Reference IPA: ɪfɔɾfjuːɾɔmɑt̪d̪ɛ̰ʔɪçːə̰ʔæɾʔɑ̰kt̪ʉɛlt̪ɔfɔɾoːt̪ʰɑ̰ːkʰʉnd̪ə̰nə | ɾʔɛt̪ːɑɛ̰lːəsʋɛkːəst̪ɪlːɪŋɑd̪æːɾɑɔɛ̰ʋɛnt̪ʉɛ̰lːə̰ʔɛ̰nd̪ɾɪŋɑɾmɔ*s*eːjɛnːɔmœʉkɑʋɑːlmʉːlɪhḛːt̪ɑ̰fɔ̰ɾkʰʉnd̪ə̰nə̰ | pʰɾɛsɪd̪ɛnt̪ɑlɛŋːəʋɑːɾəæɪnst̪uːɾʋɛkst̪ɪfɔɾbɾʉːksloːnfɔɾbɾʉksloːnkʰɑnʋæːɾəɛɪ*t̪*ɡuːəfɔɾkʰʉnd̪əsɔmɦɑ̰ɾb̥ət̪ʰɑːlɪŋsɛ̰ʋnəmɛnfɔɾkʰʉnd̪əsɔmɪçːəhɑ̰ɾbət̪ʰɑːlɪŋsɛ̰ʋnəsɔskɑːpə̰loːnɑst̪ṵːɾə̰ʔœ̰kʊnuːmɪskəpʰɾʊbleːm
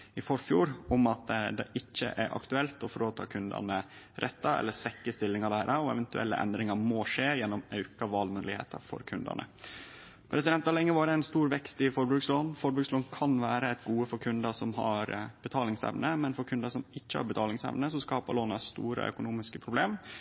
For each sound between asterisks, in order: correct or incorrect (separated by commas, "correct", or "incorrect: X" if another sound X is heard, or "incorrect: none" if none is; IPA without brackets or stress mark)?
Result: incorrect: ʂ, correct